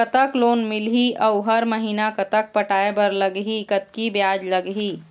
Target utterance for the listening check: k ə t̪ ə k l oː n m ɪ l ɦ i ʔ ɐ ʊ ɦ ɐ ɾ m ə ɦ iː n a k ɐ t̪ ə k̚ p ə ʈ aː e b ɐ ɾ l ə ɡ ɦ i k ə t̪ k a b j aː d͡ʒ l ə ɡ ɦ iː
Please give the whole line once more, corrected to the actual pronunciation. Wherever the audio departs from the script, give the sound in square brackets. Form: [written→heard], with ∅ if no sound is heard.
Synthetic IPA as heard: k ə t̪ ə k l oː n m ɪ l ɦ i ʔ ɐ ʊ ɦ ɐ ɾ m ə ɦ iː n a k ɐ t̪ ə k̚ p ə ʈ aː e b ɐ ɾ l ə ɡ ɦ i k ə t̪ k [a→i] b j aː d͡ʒ l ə ɡ ɦ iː